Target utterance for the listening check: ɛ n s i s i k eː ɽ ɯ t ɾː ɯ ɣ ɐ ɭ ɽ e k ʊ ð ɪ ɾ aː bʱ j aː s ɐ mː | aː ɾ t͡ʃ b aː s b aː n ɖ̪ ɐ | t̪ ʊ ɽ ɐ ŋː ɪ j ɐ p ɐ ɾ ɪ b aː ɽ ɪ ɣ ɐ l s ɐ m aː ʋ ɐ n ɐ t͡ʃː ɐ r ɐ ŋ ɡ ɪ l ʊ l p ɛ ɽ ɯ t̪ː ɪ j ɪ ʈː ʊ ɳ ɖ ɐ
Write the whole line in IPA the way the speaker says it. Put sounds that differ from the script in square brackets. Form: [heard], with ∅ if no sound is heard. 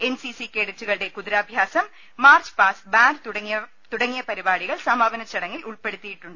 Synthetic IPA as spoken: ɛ n s i s i k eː ɽ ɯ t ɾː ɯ ɣ ɐ ɭ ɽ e k ʊ ð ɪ ɾ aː bʱ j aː s ɐ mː | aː ɾ t͡ʃ [p] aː s b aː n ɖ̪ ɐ | t̪ ʊ ɽ ɐ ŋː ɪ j ɐ p ɐ ɾ ɪ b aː ɽ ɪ ɣ ɐ [ɭ] s ɐ m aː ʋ ɐ n ɐ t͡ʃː ɐ [ɽ] ɐ ŋ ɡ ɪ l ʊ [ɭ] p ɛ ɽ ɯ t̪ː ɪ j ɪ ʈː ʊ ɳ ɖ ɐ